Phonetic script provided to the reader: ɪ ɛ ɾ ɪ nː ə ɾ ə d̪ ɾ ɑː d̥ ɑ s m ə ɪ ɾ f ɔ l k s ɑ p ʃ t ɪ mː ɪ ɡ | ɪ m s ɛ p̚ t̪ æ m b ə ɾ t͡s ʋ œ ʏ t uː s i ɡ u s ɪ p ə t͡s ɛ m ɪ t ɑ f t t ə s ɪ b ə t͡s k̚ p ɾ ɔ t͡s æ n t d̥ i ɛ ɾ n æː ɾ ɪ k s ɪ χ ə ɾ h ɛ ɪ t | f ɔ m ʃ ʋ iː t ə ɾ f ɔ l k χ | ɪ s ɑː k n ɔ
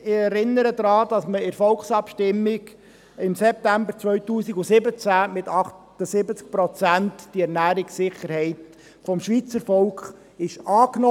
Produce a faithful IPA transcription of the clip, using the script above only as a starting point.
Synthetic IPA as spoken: ɪ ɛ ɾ ɪ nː ə ɾ ə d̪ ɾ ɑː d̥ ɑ s m ə ɪ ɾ f ɔ l k s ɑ p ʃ t ɪ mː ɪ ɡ | ɪ m s ɛ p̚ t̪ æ m b ə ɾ t͡s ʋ œ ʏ t uː s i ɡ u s ɪ b ə t͡s æ m ɪ t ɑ χ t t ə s ɪ b ə t͡s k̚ p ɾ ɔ t͡s æ n t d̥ i ɛ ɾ n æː ɾ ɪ k s ɪ χ ə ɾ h ɛ ɪ t | f ɔ m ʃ ʋ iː t͡s ə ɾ f ɔ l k χ | ɪ ʃ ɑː k n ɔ